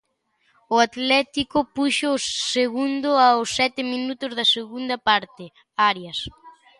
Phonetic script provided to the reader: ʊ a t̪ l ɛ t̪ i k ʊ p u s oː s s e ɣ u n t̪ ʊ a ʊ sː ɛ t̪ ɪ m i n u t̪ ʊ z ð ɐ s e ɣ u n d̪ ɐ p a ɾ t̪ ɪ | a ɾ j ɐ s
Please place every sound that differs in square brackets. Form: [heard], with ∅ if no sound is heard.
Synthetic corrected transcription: ʊ a t̪ l ɛ t̪ i k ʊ p u [ʃ] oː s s e ɣ u n [d̪] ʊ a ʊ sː ɛ t̪ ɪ m i n u t̪ ʊ z ð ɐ s e ɣ u n d̪ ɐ p a ɾ t̪ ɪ | a ɾ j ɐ s